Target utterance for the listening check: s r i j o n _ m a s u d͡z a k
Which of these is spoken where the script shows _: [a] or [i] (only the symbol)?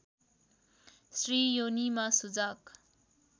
i